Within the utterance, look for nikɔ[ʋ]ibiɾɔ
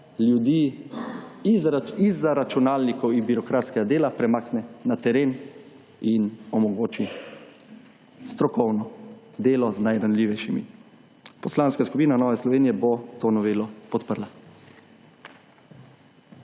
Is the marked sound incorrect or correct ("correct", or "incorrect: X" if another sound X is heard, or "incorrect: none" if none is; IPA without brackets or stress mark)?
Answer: incorrect: w